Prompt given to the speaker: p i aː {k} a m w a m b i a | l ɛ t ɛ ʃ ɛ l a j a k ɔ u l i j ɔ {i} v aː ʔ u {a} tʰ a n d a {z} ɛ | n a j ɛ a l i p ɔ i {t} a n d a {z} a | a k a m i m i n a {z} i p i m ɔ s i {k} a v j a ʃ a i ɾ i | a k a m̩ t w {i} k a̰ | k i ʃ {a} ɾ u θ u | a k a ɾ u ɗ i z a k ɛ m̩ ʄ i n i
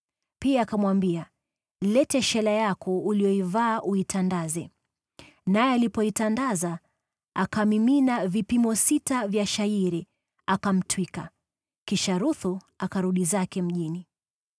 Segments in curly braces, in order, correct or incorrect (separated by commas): correct, correct, incorrect, correct, correct, correct, incorrect, incorrect, correct, correct